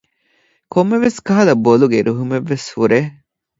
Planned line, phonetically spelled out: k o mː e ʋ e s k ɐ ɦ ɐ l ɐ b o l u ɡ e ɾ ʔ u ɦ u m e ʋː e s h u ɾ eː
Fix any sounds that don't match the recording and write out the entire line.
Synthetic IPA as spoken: k o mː e ʋ e s k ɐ ɦ ɐ l ɐ b o l u ɡ e ɾ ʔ u ɦ u m e ʋː e s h u ɾ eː